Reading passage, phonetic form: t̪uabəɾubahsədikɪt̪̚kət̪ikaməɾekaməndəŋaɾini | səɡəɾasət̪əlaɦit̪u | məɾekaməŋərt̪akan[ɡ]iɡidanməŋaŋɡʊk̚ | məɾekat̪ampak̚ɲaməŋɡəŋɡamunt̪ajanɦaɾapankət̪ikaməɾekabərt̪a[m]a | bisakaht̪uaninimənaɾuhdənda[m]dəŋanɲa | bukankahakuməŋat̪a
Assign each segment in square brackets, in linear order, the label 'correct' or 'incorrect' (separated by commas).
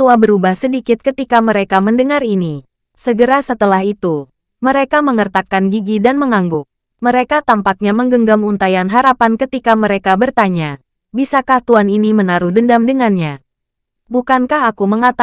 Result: correct, incorrect, correct